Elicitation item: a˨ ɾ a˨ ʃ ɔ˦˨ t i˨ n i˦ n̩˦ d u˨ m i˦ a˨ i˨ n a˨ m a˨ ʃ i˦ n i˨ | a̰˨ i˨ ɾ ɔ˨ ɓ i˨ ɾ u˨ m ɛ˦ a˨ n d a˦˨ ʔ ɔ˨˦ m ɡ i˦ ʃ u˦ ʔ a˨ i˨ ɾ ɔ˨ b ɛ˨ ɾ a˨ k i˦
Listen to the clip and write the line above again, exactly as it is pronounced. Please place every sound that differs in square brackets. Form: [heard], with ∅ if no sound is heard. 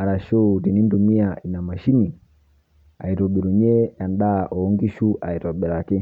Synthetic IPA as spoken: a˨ ɾ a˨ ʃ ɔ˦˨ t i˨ n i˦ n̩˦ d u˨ m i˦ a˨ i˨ n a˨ m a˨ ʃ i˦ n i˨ | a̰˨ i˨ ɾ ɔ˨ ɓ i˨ ɾ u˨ [ɲ] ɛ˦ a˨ n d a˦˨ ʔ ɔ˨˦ [ŋ] ɡ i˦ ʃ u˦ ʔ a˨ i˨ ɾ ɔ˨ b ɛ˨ ɾ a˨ k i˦

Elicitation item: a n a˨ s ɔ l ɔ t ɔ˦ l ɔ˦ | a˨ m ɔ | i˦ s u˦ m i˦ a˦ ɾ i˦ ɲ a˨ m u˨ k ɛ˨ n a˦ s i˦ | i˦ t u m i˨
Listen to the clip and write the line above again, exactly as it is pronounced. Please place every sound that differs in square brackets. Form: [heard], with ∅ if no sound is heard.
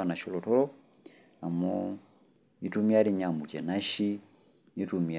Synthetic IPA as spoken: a n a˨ [ʃ] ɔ l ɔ t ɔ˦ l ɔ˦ | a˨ m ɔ | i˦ [t] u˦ m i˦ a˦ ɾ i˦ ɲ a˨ m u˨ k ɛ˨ n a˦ [ʃ] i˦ | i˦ t u m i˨

